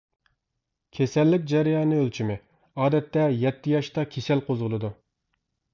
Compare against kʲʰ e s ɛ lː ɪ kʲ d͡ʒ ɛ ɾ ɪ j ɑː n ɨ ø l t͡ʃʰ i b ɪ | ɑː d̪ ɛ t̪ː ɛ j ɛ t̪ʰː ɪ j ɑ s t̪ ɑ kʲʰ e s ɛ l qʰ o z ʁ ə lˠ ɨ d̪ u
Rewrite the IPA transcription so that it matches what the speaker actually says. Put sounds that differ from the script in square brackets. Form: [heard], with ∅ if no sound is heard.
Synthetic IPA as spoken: kʲʰ e s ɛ lː ɪ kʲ d͡ʒ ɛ ɾ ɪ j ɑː n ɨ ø l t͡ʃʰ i [m] ɪ | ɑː d̪ ɛ t̪ː ɛ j ɛ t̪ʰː ɪ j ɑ [ʃ] t̪ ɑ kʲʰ e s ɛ l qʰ o z ʁ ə lˠ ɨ d̪ u